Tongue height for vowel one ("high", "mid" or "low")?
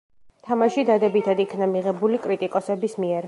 low